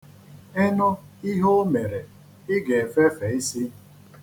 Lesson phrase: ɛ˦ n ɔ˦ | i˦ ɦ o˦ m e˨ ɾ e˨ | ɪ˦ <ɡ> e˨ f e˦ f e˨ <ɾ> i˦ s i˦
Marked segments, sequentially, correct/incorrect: correct, incorrect

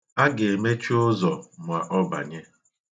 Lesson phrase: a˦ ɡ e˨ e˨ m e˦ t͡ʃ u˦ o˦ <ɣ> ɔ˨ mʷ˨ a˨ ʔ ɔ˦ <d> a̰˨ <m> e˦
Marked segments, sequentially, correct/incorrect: incorrect, incorrect, incorrect

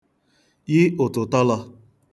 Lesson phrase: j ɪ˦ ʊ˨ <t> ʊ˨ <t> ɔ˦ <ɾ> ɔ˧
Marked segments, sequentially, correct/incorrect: correct, correct, incorrect

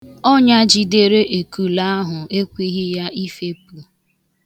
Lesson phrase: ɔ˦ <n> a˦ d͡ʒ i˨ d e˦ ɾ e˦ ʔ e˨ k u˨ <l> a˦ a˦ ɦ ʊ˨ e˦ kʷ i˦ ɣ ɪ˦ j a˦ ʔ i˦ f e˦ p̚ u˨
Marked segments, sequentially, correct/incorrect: incorrect, correct

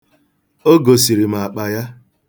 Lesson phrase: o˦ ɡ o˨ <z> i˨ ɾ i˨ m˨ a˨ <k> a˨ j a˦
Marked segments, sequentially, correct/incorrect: incorrect, incorrect

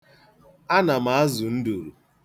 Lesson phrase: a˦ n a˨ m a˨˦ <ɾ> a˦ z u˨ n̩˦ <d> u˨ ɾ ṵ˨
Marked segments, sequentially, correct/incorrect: incorrect, correct

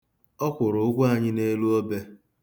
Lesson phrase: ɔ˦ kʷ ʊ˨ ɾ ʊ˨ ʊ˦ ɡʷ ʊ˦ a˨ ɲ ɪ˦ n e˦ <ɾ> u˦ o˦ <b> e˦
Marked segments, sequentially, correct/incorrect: incorrect, correct

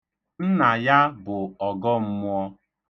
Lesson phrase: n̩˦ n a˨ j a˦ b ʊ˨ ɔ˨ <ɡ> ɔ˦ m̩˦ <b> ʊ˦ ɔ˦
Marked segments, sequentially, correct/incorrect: correct, incorrect

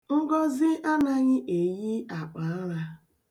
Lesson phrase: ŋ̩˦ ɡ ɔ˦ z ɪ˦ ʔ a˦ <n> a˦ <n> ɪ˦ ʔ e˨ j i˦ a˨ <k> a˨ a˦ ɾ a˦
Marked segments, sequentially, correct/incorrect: correct, incorrect, incorrect

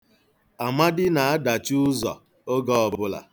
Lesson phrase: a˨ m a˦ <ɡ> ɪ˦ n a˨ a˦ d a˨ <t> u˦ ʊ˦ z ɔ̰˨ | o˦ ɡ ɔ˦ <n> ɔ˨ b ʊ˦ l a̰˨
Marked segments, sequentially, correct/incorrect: incorrect, incorrect, incorrect

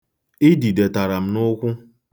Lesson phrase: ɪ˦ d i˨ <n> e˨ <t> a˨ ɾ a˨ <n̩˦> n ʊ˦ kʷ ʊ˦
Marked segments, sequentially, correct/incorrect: incorrect, correct, incorrect

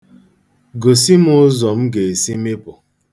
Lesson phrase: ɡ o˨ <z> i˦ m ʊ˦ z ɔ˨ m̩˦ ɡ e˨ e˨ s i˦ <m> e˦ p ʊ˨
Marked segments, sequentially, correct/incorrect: incorrect, correct

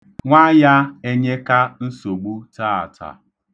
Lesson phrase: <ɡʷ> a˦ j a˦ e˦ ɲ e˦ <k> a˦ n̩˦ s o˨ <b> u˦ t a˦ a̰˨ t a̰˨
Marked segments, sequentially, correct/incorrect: incorrect, correct, incorrect

